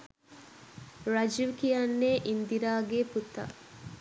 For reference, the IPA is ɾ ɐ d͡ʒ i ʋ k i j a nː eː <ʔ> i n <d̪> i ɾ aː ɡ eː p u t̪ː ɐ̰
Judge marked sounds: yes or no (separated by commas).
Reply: yes, yes